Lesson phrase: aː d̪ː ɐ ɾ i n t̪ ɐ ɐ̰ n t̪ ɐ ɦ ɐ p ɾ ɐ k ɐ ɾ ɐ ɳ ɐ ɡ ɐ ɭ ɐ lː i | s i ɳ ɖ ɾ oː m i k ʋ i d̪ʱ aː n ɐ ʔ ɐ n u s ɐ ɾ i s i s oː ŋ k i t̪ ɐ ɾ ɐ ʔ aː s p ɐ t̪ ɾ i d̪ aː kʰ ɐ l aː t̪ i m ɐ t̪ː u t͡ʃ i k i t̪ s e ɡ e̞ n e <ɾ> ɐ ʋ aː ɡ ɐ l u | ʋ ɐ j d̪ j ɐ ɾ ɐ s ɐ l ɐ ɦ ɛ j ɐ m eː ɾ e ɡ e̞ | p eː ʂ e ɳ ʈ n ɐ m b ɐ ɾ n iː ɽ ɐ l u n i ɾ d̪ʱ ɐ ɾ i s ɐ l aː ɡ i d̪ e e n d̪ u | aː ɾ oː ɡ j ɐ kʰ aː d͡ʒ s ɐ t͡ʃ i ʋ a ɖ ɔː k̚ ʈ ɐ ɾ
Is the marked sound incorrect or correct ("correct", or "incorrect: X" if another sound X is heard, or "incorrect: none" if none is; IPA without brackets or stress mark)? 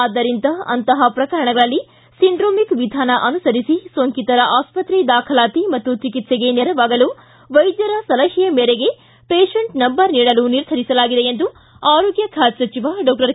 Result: correct